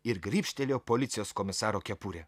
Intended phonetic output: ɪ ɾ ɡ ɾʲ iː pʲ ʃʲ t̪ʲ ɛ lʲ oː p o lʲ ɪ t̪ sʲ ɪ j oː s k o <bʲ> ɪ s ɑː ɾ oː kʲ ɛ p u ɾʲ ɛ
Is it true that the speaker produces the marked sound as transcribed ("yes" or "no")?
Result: no